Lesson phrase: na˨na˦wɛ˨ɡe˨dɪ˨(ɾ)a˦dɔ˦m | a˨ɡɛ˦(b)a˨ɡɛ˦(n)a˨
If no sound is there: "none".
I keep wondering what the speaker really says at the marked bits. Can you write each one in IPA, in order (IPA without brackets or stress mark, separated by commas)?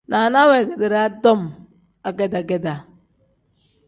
ɾ, d, d